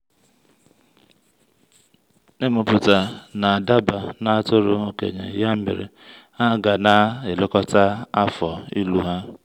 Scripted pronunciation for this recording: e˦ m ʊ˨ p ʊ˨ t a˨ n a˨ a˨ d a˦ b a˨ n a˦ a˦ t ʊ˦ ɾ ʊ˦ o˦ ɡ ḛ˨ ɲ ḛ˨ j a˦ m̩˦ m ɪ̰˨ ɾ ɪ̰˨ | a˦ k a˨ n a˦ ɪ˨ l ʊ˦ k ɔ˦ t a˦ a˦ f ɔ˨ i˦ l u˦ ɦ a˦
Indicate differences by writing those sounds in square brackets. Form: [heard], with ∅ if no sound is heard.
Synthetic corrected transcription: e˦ m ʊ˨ p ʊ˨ t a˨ n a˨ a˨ d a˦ b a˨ n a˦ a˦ t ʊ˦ ɾ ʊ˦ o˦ [k] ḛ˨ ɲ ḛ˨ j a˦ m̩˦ m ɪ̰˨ ɾ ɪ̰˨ | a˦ [ɡ] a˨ n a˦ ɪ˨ l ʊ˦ k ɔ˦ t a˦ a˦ f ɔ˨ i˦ l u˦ ɦ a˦